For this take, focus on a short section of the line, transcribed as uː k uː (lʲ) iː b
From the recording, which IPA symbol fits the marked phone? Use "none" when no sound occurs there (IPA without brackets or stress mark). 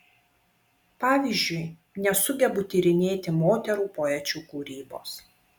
ɾʲ